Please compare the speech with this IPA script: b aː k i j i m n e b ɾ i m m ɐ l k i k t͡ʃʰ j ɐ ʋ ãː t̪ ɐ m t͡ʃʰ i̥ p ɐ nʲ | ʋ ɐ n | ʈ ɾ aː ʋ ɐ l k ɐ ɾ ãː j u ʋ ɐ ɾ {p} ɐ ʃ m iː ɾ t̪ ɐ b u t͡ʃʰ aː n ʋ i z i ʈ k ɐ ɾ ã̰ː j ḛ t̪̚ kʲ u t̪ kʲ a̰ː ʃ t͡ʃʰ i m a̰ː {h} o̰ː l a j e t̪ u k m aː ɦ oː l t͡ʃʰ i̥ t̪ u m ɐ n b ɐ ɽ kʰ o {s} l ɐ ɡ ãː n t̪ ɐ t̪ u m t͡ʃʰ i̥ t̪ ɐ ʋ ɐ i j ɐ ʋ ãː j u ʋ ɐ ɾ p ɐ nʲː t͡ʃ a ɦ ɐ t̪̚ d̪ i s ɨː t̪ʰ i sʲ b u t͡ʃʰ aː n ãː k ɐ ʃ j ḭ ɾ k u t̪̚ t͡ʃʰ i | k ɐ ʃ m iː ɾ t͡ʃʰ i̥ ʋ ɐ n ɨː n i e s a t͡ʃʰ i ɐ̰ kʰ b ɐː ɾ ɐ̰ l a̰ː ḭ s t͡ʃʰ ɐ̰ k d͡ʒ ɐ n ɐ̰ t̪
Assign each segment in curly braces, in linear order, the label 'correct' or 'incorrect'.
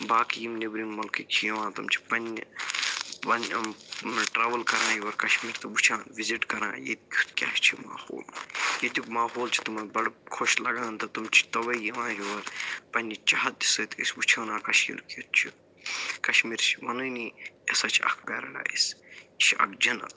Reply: incorrect: k, correct, incorrect: ʃ

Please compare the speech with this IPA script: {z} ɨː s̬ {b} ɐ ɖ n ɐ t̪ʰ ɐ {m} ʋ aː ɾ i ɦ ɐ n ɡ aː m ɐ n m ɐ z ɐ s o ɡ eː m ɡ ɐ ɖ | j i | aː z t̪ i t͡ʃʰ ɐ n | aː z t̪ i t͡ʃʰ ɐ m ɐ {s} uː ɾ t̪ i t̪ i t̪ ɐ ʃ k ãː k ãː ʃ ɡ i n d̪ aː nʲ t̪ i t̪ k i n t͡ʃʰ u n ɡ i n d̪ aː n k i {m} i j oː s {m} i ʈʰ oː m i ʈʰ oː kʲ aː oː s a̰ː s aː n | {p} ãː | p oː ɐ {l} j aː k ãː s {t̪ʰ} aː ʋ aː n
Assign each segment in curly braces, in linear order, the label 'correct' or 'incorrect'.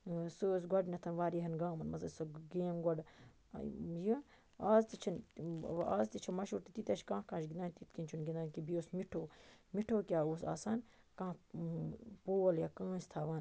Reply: incorrect: s, incorrect: ɡ, incorrect: n, incorrect: ʃ, incorrect: b, correct, incorrect: k, correct, correct

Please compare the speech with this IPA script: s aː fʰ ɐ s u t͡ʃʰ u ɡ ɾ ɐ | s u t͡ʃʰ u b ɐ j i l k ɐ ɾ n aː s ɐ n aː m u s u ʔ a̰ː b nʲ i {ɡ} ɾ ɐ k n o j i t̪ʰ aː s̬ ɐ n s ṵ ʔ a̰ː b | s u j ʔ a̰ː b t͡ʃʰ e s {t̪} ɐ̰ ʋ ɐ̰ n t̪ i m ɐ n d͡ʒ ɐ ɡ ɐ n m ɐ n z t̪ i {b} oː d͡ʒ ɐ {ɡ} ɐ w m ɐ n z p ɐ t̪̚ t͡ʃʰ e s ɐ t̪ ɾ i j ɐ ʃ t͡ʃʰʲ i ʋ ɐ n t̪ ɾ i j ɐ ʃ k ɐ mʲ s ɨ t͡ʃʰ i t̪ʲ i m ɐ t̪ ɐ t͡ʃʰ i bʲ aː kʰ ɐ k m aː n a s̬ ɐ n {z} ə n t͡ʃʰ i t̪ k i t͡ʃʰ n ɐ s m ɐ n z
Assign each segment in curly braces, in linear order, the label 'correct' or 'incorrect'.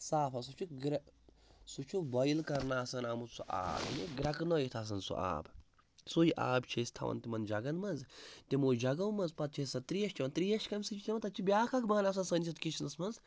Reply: correct, incorrect: t̪ʰ, incorrect: m, correct, incorrect: s

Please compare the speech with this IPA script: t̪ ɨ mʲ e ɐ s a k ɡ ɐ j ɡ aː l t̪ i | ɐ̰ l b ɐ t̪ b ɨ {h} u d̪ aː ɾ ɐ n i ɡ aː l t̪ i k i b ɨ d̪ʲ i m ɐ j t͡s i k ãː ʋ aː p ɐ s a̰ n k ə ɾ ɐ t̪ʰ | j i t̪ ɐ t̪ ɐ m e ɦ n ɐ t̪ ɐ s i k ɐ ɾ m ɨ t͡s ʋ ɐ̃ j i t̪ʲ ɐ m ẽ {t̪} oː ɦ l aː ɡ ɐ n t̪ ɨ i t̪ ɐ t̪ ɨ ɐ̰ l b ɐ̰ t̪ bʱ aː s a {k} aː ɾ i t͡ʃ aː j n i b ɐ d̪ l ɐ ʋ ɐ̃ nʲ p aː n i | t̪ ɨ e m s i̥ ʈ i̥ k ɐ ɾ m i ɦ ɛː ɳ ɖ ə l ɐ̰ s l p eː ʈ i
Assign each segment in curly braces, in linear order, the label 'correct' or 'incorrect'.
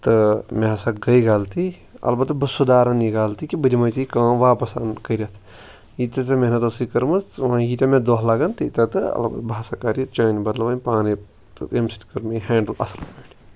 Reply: incorrect: s, incorrect: d̪, correct

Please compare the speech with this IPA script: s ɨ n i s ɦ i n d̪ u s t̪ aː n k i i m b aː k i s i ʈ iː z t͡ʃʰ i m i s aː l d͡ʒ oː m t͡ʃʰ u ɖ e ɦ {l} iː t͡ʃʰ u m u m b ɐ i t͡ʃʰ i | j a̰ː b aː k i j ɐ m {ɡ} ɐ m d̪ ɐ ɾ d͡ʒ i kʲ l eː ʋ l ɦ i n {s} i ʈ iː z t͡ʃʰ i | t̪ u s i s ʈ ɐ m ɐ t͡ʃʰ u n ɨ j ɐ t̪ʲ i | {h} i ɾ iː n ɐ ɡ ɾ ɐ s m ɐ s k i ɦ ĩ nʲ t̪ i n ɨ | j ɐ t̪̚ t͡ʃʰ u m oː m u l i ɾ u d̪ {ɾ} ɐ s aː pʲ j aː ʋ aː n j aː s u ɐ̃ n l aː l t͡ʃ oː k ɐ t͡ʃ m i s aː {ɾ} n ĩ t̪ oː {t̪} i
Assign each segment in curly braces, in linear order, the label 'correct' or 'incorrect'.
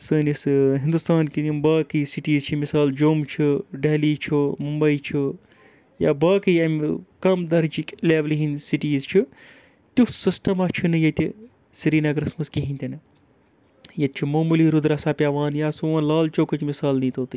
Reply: correct, incorrect: k, correct, incorrect: s, correct, incorrect: l, correct

